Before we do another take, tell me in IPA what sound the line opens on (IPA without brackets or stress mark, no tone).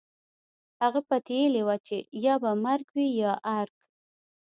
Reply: h